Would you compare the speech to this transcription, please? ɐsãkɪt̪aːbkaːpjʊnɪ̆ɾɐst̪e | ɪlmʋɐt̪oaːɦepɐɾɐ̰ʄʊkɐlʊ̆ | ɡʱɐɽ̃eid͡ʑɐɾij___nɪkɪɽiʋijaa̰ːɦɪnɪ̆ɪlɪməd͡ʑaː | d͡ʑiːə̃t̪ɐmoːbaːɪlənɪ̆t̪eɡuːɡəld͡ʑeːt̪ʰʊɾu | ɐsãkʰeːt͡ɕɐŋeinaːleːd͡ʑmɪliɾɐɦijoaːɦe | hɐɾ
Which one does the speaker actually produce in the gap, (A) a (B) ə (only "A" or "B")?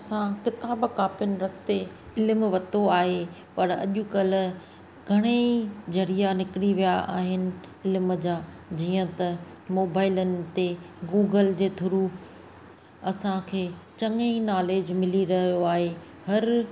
A